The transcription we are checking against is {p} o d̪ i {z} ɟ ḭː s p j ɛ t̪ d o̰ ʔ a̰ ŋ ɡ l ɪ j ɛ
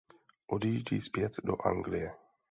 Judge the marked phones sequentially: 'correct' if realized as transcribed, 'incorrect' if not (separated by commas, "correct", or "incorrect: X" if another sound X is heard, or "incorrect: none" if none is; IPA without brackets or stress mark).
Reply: incorrect: ʔ, incorrect: ʒ